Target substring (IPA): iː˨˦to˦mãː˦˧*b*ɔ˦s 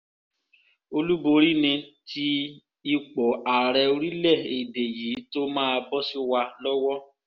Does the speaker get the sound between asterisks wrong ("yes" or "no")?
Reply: no